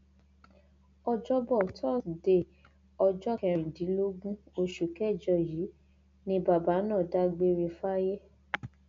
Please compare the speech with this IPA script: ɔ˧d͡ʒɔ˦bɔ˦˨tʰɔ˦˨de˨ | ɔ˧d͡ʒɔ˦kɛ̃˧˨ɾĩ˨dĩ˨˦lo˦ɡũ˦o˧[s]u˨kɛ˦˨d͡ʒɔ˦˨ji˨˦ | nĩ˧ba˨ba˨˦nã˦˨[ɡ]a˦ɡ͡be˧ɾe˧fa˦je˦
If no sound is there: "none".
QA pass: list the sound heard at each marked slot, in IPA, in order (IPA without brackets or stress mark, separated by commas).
ʃ, d